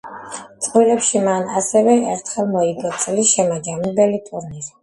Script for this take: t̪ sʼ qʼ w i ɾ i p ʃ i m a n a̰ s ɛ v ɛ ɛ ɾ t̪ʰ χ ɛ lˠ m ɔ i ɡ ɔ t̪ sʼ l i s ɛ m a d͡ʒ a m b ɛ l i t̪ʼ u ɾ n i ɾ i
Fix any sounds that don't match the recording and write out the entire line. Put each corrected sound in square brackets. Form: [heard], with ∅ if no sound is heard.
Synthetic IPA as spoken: t̪ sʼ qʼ w i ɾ [ɛ] p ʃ i m a n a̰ s ɛ v ɛ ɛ ɾ t̪ʰ χ ɛ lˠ m ɔ i ɡ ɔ t̪ sʼ l i [ʃ] ɛ m a d͡ʒ a m b ɛ l i t̪ʼ u ɾ n i ɾ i